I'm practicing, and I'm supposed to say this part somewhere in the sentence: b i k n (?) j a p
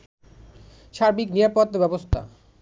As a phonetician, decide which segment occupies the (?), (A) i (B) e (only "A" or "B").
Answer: A